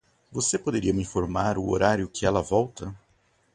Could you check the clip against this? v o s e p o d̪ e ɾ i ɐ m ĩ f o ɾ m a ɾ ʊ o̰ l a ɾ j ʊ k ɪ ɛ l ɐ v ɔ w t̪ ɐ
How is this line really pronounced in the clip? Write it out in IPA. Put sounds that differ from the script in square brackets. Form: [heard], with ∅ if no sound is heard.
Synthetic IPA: v o s e p o d̪ e ɾ i ɐ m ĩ f o ɾ m a ɾ ʊ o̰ [ɾ] a ɾ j ʊ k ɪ ɛ l ɐ v ɔ w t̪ ɐ